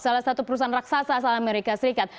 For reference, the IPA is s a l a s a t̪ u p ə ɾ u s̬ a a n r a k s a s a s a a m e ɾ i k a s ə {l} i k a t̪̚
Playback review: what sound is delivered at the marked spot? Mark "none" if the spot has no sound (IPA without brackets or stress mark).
ɾ